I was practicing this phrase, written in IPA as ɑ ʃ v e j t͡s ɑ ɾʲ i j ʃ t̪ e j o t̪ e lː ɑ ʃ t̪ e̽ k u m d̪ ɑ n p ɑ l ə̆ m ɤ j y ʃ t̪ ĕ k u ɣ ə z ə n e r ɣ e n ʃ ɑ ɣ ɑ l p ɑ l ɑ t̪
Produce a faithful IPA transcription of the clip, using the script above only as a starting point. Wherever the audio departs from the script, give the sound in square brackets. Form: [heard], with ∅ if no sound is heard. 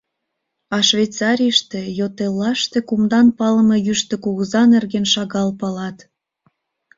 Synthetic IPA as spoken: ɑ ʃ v e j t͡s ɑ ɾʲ i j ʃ t̪ e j o t̪ e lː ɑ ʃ t̪ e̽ k u m d̪ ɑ n p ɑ l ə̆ m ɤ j y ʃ t̪ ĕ k u ɣ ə z [ɑ] n e r ɣ e n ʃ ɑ ɣ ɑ l p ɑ l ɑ t̪